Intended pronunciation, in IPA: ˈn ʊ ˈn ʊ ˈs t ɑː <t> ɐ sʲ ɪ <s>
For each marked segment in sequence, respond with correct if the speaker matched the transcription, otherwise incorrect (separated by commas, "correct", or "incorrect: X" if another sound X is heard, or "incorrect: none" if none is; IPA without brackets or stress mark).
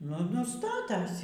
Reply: correct, incorrect: none